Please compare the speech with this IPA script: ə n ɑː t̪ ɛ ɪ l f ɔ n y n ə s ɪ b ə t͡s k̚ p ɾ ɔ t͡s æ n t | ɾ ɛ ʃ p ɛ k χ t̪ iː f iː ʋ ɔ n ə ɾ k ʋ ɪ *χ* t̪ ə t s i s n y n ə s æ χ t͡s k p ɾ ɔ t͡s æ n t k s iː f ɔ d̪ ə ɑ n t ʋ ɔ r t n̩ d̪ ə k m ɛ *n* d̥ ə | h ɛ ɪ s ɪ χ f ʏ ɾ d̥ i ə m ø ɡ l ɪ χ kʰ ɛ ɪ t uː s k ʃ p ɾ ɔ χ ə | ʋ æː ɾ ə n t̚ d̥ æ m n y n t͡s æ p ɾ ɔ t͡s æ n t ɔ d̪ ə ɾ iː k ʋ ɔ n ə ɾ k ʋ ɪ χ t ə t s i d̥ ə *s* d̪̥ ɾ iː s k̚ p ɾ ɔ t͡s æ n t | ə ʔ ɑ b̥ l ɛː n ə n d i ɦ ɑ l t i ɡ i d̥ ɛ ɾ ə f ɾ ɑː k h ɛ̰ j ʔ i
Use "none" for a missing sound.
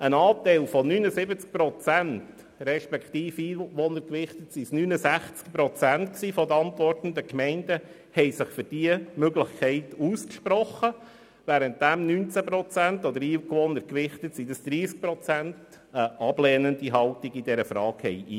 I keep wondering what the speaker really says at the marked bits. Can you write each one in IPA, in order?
χ, n, s

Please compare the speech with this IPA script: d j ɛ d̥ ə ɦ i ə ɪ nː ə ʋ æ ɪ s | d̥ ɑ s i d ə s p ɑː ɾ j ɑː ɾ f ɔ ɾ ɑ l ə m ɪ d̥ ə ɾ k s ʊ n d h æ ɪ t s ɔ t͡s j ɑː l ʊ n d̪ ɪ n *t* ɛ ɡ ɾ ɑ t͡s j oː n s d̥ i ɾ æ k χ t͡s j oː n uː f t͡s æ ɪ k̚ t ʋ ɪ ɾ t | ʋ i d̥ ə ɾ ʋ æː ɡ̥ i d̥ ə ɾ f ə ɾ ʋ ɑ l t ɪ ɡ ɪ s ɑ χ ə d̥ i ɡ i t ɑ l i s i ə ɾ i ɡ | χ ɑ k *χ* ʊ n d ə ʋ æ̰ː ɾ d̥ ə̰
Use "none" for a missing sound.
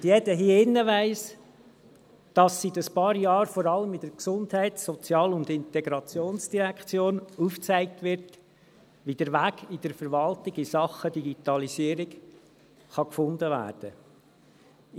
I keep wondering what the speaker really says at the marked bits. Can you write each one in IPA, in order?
t, f

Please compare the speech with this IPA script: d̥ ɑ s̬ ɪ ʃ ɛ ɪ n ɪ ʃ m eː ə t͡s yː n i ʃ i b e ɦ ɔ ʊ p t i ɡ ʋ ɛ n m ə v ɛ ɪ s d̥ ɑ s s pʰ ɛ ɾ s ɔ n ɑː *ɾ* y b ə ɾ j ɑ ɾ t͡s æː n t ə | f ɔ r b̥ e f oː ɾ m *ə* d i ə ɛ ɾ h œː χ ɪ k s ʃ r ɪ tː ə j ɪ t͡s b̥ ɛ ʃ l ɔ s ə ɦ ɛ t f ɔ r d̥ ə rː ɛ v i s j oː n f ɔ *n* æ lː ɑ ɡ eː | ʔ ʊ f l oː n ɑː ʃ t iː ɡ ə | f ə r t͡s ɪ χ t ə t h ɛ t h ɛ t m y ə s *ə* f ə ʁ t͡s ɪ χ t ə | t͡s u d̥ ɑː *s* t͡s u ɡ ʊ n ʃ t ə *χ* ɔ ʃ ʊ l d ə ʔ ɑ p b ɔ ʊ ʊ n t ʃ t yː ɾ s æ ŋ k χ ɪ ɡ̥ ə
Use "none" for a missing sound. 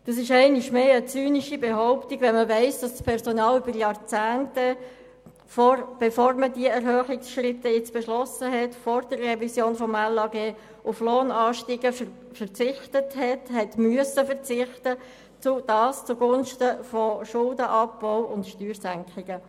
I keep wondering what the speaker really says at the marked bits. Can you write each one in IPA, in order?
l, ə, m, ə, s, f

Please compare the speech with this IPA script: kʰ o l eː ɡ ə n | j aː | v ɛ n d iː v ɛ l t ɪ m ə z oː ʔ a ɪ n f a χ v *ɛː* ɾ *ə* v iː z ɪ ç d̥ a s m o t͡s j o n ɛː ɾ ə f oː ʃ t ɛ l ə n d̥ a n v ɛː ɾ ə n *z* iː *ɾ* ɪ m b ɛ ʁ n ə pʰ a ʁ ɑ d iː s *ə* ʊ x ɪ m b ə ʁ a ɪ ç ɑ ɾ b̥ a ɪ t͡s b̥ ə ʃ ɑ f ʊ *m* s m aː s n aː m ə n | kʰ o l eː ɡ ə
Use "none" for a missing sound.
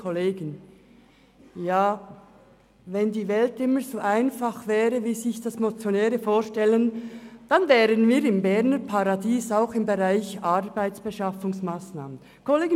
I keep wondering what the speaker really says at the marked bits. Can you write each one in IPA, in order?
ɛː, ə, v, ɾ, a, ŋ

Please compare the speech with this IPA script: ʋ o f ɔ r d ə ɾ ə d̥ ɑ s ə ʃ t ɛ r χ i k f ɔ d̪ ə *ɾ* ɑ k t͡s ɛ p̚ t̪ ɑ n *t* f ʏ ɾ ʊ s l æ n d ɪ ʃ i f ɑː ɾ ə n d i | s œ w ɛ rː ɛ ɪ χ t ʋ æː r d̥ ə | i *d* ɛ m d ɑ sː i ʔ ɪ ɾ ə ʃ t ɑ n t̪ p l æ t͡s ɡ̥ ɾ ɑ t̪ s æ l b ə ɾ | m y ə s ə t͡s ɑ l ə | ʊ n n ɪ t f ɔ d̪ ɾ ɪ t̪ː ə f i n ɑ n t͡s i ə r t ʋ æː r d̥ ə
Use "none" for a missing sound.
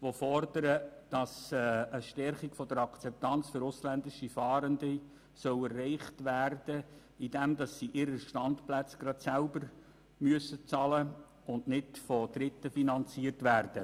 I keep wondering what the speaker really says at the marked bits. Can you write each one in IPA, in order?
ɾ, t͡s, d

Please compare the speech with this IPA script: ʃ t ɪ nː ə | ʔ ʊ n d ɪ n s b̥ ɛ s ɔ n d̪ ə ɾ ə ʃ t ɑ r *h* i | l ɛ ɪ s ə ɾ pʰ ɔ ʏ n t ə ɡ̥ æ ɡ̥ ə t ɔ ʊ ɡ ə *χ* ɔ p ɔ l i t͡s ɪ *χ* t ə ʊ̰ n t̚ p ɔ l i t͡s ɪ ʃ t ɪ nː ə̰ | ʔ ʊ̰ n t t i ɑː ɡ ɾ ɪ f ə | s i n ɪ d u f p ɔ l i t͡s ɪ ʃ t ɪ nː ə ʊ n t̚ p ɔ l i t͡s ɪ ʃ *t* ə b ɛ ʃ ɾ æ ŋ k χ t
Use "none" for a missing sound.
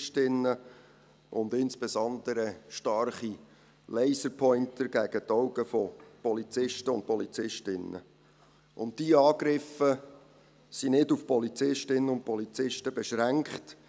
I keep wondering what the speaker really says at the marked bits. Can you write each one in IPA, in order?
χ, f, ʃ, t

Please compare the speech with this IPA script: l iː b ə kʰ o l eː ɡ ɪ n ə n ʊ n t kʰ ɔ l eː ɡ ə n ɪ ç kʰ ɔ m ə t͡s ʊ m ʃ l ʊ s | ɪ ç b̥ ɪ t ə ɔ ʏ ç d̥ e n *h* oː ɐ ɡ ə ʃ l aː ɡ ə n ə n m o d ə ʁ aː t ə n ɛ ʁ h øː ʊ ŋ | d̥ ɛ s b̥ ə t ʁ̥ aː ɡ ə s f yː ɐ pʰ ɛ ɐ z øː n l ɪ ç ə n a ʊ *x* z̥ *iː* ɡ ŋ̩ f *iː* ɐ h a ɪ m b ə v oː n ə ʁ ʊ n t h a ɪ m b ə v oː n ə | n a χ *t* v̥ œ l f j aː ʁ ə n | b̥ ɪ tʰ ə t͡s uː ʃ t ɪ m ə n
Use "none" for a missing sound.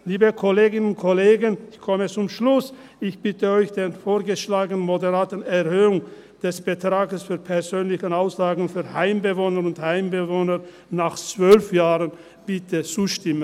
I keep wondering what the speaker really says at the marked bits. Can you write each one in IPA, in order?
f, s, aː, yː, t͡s

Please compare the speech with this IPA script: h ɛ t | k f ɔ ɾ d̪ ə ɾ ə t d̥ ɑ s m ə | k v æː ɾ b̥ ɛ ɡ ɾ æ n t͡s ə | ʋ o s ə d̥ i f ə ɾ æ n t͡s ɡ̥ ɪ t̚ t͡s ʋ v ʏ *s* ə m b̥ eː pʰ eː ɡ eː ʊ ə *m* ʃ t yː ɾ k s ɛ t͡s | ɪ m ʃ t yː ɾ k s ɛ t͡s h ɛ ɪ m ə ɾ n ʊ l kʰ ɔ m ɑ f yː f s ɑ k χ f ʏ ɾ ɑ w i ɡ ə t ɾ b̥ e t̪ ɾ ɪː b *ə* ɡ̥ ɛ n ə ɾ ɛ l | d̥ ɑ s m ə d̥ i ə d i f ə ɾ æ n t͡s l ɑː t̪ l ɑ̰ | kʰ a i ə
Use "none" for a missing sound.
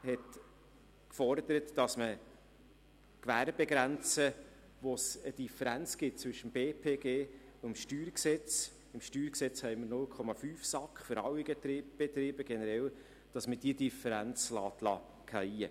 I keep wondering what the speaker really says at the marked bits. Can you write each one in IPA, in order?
ʃ, m, ə

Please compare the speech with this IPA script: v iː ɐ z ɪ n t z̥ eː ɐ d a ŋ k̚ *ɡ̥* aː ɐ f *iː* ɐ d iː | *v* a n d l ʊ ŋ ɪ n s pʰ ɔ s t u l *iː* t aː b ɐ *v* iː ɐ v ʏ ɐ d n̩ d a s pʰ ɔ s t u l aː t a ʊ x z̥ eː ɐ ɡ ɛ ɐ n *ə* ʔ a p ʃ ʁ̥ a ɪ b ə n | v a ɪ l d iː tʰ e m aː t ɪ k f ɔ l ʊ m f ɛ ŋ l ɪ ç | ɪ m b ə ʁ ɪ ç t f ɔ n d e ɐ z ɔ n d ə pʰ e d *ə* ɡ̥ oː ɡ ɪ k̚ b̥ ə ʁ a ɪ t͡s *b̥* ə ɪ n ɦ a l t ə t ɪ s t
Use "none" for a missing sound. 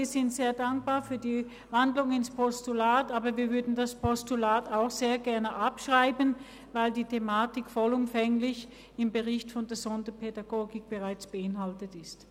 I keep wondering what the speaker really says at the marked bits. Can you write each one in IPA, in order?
b̥, yː, v, aː, v, ə, a, b̥

